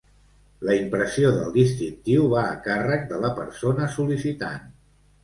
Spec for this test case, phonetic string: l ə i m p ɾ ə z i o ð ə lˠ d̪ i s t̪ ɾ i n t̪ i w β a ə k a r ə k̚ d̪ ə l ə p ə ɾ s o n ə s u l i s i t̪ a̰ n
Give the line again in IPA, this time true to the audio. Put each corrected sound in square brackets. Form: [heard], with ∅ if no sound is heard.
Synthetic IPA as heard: l ə i m p ɾ ə [s] i o ð ə lˠ d̪ i s t̪ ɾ i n t̪ i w β a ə k a r ə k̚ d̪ ə l ə p ə ɾ s o n ə s u l i s i t̪ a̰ n